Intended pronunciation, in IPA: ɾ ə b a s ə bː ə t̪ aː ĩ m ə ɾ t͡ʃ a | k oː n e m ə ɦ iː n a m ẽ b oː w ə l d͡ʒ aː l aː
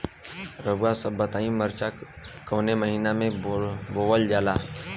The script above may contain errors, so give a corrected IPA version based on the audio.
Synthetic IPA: ɾ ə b a s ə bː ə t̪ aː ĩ m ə ɾ t͡ʃ a | k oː n e m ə ɦ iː n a m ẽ b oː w ə l d͡ʒ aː l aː